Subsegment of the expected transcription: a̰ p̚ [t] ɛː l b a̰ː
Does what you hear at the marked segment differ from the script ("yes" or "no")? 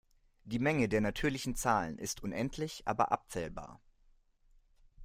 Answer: yes